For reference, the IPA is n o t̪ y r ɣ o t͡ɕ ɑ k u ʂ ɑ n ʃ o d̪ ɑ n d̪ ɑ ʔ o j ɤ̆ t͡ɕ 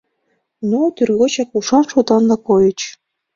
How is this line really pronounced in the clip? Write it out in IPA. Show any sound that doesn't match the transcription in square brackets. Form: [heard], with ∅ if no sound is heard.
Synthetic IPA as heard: n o t̪ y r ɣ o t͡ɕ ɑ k u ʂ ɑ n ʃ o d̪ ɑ n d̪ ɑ [k] o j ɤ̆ t͡ɕ